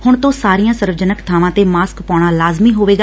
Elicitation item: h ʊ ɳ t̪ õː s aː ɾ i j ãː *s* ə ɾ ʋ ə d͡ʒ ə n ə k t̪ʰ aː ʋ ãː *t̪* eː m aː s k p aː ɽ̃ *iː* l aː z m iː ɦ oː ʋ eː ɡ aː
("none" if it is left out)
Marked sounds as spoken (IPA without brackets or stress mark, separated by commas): s, t̪, aː